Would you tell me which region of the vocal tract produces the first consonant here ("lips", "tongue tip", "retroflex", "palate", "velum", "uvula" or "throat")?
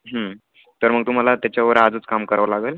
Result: throat